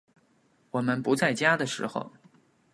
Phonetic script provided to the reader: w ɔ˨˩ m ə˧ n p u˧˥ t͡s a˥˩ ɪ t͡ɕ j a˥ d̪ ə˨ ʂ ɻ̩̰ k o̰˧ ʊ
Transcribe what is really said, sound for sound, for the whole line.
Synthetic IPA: w ɔ˨˩ m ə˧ n p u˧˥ t͡s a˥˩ ɪ t͡ɕ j a˥ d̪ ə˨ ʂ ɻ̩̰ x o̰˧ ʊ